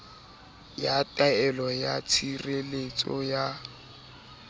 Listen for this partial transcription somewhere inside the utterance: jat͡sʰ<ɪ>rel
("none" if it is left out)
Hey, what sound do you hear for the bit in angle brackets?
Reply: i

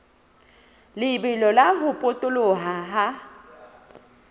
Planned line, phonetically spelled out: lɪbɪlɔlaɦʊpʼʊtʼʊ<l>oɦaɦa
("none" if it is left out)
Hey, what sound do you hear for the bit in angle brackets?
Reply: l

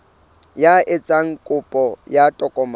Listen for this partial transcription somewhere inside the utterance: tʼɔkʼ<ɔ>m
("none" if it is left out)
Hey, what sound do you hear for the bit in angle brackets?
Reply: ɔ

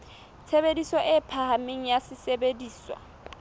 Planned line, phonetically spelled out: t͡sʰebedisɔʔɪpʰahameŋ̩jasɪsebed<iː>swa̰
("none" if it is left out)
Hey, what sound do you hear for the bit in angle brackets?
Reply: iː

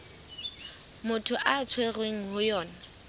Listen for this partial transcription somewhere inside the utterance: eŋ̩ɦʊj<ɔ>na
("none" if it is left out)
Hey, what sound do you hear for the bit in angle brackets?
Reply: ɔː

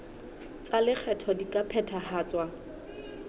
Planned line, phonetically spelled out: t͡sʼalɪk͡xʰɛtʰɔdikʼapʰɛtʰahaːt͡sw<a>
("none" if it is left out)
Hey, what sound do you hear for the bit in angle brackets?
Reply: a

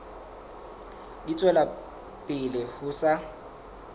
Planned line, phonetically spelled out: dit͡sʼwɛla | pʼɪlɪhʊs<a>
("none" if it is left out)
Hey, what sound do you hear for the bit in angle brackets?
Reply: a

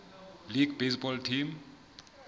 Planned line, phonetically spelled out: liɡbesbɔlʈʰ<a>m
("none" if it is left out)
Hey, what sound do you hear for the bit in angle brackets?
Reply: i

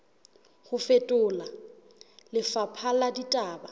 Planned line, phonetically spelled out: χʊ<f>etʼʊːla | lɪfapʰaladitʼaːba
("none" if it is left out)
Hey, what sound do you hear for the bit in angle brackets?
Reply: f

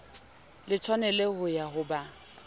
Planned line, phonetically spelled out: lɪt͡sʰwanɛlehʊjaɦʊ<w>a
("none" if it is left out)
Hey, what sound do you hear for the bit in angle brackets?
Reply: b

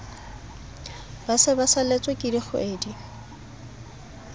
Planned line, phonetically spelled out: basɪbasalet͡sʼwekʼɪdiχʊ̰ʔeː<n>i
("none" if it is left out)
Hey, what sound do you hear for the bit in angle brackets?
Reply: d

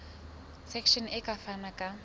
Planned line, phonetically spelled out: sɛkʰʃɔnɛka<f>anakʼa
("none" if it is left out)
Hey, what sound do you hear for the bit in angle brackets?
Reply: f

